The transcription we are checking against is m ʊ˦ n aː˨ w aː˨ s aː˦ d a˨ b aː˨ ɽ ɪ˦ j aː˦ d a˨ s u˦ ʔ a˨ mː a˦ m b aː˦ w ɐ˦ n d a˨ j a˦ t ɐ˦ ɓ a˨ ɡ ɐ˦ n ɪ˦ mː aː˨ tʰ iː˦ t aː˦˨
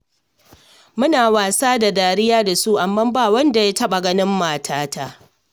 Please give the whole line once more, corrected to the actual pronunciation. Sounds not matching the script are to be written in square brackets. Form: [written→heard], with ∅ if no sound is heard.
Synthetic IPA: m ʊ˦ n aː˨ w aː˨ s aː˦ d a˨ [b→d] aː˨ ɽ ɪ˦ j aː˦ d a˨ s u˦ ʔ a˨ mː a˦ m b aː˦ w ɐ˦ n d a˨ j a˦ t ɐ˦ ɓ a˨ ɡ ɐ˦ n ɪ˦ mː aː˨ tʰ [iː˦→aː˦] t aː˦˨